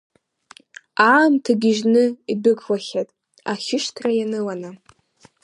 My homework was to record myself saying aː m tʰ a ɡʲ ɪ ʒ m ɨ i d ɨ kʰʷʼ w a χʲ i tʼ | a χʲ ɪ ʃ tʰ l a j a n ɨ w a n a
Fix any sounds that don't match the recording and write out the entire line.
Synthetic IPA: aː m tʰ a ɡʲ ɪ ʒ n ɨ i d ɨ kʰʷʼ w a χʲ a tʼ | a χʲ ɪ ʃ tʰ r a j a n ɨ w a n a